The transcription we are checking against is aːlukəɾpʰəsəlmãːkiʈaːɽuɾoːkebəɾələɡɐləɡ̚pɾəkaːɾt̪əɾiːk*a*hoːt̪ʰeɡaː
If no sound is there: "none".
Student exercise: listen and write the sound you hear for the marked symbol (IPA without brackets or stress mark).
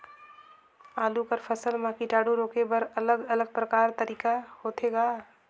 a